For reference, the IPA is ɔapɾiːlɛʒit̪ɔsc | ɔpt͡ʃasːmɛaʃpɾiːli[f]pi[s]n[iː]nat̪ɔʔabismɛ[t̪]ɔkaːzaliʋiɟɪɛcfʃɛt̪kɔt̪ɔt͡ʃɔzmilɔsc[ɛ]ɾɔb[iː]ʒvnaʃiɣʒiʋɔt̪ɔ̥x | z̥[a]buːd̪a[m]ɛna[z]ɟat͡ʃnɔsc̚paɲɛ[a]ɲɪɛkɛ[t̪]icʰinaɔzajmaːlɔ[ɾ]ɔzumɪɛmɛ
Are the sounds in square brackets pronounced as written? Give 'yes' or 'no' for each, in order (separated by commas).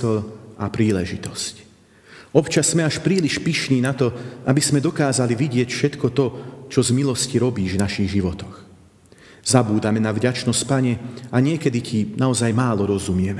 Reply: no, no, yes, no, no, yes, yes, yes, no, yes, no, yes